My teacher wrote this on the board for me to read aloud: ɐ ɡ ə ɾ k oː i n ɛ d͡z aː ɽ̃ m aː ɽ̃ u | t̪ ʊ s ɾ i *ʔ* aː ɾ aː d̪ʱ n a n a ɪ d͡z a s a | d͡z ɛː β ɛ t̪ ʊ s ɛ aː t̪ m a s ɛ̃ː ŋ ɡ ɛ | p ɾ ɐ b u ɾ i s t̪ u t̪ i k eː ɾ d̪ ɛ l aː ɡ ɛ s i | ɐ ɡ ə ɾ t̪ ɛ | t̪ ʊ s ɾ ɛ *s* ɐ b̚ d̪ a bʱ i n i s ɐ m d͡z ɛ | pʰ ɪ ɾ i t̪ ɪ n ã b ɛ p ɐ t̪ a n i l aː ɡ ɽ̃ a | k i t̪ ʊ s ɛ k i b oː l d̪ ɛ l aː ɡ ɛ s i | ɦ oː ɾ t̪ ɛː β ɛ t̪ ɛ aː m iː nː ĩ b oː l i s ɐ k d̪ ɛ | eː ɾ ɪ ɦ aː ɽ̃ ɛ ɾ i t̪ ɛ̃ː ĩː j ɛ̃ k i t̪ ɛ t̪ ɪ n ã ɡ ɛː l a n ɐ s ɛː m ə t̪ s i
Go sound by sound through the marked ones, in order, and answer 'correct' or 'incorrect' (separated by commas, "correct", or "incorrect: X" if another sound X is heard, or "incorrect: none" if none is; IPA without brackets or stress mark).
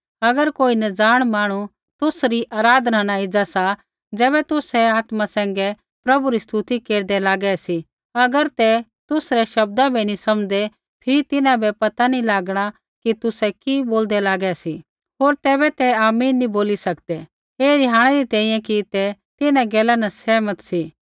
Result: correct, incorrect: ʃ